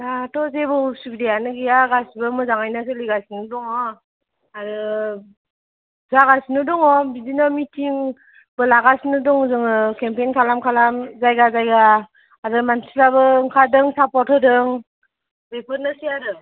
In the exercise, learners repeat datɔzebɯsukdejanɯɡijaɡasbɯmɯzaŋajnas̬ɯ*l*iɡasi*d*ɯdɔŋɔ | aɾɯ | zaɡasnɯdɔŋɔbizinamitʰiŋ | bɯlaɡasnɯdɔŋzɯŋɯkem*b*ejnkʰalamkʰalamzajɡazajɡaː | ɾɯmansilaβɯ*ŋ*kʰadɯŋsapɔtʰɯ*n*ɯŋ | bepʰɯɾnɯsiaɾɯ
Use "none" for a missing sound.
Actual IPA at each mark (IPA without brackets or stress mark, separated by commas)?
l, n, p, ŋ, d